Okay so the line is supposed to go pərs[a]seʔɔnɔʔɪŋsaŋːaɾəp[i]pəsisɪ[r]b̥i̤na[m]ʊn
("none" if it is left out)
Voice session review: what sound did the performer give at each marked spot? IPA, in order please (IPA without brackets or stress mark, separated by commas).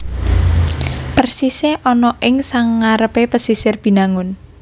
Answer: i, e, r, ŋ